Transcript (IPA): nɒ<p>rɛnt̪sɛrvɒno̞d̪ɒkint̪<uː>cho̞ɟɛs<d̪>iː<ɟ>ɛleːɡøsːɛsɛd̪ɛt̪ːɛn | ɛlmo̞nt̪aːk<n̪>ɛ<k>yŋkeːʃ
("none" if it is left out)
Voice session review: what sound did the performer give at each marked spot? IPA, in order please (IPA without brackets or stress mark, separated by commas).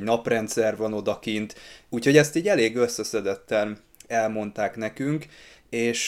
p, uː, t̪, ɟ, n̪, k